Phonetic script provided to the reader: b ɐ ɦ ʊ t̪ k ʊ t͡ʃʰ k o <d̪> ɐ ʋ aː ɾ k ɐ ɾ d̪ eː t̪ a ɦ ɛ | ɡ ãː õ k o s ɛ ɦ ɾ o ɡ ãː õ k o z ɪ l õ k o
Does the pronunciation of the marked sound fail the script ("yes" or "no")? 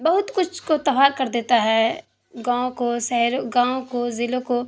yes